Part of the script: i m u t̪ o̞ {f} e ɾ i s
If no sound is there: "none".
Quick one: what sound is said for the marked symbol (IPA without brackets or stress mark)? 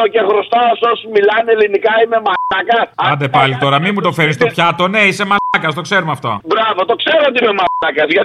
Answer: f